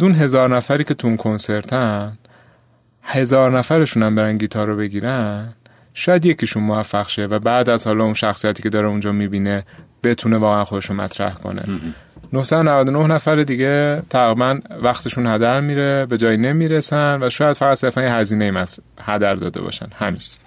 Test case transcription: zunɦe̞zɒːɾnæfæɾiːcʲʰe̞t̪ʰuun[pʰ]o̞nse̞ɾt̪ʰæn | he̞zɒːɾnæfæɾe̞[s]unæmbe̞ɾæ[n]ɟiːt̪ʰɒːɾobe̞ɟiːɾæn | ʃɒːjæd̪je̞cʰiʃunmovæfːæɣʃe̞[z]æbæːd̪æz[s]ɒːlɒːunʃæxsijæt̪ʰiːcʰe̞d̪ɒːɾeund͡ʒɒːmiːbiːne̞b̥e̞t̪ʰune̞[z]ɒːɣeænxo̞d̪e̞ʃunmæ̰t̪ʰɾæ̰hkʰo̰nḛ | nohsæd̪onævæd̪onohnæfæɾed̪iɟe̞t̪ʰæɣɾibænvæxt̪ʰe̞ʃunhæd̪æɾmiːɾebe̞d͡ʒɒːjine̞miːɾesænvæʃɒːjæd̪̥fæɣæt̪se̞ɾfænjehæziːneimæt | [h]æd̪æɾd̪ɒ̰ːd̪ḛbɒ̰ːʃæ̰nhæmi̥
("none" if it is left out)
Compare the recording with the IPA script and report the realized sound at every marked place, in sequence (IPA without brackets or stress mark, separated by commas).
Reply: kʰ, ʃ, n, v, h, v, h